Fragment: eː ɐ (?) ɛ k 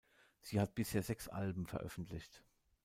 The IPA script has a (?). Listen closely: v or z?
z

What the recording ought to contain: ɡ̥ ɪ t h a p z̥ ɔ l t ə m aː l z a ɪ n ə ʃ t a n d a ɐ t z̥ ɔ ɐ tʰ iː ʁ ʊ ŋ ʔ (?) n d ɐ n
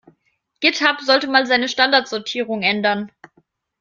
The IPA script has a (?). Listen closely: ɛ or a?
ɛ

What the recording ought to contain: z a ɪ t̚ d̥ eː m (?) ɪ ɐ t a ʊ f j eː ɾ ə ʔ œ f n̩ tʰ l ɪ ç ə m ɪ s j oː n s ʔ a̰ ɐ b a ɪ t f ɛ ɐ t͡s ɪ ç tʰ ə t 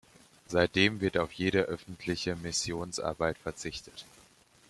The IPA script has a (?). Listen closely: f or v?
v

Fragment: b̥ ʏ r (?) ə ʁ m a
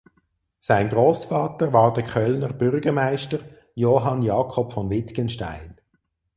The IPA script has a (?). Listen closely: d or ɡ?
ɡ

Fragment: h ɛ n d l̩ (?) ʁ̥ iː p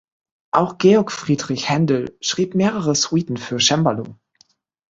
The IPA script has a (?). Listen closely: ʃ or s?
ʃ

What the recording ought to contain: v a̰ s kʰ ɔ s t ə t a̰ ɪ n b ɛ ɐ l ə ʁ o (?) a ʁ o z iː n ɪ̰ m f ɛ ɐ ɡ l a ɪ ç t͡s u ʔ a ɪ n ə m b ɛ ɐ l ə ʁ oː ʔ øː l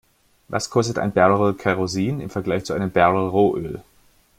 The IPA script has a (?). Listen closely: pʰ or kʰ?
kʰ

